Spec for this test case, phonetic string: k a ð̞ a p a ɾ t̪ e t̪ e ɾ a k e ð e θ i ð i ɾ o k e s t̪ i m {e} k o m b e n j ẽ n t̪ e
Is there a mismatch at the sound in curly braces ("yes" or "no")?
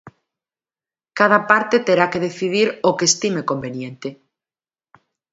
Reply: no